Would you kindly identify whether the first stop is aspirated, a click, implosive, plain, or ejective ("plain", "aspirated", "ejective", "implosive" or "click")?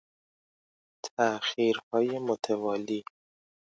aspirated